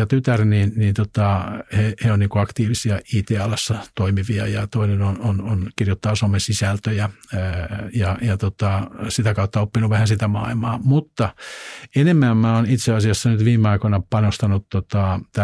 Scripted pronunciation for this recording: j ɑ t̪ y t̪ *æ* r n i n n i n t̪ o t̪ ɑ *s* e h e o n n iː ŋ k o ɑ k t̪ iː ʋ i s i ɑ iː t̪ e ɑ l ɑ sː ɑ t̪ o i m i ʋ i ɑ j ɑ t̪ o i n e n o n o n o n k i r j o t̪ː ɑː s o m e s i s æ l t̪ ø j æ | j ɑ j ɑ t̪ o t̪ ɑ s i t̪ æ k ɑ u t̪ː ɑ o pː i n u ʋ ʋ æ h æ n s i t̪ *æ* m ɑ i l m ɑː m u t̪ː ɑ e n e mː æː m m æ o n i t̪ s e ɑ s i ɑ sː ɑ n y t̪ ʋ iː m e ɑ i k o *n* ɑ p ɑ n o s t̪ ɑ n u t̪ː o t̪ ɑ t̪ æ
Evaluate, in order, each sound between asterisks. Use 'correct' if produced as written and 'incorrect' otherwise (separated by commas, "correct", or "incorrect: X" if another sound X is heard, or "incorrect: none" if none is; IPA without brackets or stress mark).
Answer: correct, incorrect: h, correct, correct